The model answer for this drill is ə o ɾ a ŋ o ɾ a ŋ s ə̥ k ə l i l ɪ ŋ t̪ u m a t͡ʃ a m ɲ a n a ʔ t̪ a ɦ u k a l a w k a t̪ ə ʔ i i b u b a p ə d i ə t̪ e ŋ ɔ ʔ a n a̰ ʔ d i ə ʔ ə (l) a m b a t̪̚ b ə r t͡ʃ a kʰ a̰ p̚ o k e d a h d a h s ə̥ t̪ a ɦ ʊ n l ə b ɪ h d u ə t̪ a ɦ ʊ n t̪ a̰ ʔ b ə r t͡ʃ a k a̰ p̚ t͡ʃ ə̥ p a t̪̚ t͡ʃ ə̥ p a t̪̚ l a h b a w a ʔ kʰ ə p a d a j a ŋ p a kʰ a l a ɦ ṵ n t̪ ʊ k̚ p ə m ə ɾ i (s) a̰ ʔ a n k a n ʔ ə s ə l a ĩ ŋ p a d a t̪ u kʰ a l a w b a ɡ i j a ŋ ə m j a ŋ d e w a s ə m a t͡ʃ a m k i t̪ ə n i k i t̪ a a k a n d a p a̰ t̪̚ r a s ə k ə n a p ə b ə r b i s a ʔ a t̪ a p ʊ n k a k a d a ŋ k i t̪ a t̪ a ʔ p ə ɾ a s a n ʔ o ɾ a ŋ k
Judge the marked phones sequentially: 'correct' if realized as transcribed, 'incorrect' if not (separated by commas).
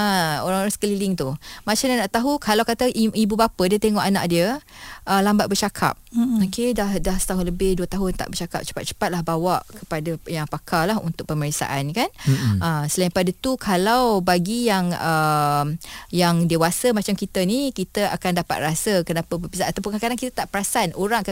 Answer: correct, correct